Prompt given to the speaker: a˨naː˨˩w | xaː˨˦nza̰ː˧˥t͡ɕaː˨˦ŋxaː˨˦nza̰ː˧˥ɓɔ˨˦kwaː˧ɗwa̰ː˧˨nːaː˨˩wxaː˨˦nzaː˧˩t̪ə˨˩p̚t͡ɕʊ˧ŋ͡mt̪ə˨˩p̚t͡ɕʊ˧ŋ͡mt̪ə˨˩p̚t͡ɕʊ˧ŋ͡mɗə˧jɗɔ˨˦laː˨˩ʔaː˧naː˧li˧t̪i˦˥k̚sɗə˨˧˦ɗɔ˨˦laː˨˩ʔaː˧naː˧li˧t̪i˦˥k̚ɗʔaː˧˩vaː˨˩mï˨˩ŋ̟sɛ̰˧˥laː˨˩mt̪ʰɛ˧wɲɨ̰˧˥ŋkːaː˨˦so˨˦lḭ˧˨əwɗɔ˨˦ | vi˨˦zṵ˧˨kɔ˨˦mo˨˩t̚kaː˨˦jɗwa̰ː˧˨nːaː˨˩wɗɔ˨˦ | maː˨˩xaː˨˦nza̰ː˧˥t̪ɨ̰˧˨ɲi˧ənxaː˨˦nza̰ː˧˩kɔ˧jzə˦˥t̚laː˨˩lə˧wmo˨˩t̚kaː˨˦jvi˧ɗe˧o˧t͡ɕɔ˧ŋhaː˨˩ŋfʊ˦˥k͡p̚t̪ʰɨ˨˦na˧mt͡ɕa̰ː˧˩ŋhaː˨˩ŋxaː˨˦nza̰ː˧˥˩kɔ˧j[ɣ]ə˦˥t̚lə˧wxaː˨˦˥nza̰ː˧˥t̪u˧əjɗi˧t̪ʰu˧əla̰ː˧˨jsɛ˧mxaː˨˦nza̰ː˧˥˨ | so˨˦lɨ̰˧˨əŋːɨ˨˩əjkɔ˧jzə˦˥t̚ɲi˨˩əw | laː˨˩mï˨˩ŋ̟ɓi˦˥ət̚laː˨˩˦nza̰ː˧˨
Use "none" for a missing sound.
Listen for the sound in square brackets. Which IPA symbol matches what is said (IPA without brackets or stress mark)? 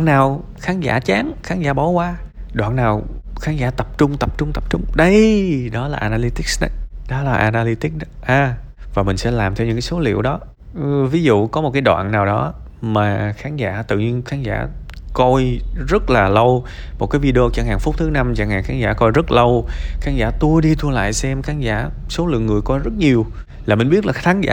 z